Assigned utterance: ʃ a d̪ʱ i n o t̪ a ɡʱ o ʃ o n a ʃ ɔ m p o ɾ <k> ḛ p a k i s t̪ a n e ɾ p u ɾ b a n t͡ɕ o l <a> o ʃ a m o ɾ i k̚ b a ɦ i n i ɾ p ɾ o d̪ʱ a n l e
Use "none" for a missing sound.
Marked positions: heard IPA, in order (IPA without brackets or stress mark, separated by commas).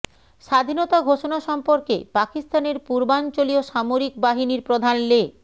k, i